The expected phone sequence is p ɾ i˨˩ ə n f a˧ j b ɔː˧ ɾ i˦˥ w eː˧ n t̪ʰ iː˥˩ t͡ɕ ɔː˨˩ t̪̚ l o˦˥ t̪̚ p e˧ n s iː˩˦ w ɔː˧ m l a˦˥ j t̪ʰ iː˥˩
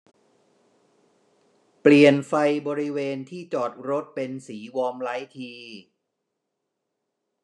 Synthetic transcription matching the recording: p l i˨˩ ə n f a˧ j b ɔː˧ ɾ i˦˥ w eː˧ n t̪ʰ iː˥˩ t͡ɕ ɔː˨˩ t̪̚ ɾ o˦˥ t̪̚ p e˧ n s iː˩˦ w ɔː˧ m l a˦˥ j t̪ʰ iː˧